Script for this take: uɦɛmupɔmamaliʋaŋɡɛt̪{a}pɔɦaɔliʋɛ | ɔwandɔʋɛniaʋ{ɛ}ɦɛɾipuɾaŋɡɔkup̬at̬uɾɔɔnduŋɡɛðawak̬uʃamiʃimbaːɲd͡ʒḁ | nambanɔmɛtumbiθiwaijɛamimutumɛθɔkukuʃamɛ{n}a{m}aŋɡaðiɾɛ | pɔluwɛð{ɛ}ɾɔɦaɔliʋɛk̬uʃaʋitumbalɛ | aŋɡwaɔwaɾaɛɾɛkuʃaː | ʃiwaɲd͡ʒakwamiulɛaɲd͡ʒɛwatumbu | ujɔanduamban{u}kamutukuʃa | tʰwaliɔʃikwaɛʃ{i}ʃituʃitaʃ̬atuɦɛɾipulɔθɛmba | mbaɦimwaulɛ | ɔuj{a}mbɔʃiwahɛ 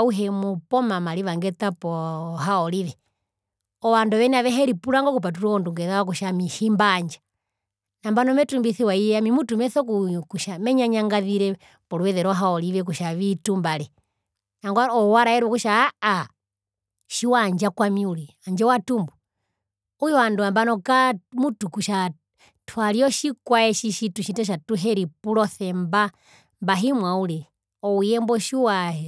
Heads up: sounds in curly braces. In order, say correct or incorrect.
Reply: correct, correct, incorrect: ɲ, incorrect: ɲ, correct, incorrect: ɔ, correct, incorrect: ɛ

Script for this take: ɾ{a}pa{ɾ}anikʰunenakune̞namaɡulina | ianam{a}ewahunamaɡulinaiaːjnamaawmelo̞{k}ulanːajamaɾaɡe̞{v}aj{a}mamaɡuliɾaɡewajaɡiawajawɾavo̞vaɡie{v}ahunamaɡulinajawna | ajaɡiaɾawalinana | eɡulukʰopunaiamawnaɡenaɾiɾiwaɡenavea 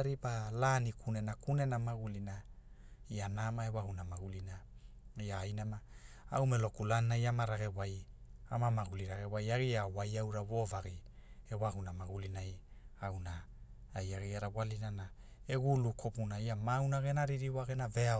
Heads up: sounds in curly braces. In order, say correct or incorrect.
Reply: incorrect: i, incorrect: l, correct, correct, incorrect: w, correct, incorrect: w

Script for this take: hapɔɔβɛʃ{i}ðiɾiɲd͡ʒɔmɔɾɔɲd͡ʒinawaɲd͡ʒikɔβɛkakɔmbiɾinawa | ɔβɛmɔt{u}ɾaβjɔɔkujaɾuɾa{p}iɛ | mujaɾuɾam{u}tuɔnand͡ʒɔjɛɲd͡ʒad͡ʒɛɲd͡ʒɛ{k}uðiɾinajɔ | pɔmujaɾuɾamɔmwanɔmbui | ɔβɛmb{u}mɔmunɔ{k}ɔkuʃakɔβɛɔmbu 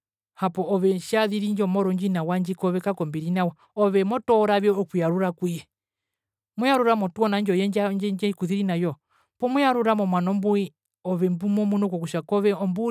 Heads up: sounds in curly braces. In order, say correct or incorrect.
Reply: incorrect: a, incorrect: ɔ, incorrect: k, incorrect: ɔ, correct, correct, correct

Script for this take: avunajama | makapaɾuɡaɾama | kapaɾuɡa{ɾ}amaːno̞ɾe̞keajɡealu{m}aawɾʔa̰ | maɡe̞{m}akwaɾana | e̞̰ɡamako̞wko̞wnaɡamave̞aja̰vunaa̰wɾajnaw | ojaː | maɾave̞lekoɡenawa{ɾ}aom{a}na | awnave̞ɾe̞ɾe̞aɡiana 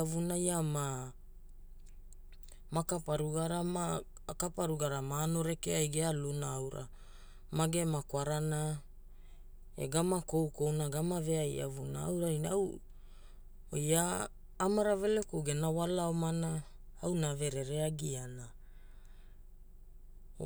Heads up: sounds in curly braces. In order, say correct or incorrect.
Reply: correct, incorrect: n, correct, incorrect: l, correct

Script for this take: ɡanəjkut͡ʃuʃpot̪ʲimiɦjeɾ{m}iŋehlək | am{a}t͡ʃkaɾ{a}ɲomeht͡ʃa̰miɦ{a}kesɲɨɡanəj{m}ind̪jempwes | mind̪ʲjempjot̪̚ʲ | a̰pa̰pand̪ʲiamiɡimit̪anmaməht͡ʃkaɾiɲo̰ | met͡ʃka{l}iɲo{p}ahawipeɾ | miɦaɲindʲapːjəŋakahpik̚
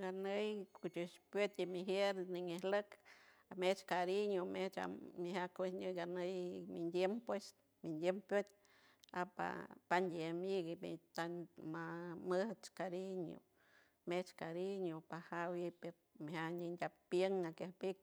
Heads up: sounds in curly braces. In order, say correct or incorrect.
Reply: incorrect: n, incorrect: e, incorrect: i, correct, correct, incorrect: ɾ, correct

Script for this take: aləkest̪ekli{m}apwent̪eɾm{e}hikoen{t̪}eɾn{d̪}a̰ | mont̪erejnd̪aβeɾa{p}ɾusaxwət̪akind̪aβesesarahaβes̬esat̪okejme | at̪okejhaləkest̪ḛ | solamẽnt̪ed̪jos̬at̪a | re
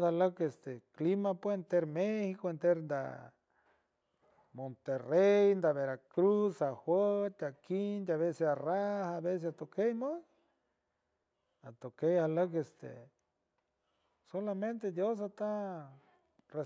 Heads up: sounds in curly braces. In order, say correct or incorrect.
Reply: correct, correct, correct, correct, incorrect: k

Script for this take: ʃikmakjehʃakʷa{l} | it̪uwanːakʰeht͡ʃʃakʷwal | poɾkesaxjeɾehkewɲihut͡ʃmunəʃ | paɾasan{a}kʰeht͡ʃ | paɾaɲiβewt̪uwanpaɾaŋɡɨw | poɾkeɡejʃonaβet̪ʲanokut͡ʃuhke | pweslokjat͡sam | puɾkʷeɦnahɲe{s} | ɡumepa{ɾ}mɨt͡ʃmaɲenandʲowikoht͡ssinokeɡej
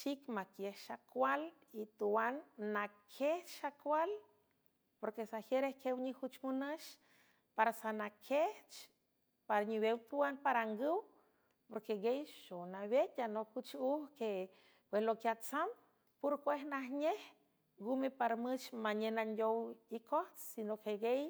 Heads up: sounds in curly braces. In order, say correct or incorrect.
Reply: correct, correct, incorrect: h, correct

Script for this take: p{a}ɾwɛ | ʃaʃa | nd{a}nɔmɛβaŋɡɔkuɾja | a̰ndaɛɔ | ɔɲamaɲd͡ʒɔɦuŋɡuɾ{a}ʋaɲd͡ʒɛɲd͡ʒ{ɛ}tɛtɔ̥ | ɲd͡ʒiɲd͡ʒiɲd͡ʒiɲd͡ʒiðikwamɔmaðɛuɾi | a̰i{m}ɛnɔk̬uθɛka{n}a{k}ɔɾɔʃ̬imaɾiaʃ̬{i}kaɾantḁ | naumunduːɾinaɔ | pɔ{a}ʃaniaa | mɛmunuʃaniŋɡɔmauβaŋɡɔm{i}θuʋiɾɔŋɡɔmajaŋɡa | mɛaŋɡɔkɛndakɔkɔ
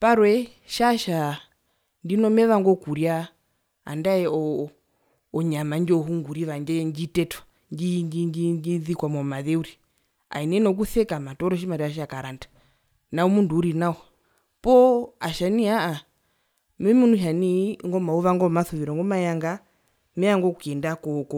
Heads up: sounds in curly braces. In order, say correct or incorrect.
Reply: correct, incorrect: i, incorrect: i, incorrect: i, incorrect: n, incorrect: m, incorrect: t, incorrect: a, correct, incorrect: a

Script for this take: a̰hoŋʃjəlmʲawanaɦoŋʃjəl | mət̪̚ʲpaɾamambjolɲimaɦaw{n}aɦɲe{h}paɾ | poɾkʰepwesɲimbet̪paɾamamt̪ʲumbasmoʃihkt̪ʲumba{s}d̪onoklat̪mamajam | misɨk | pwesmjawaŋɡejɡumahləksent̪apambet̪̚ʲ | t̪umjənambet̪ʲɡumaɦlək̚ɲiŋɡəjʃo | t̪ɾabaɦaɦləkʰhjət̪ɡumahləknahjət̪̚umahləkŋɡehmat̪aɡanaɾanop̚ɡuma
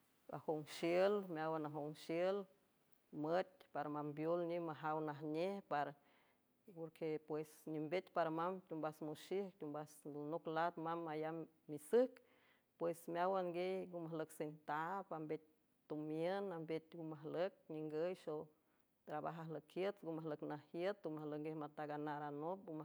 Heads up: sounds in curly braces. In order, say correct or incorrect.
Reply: correct, correct, correct

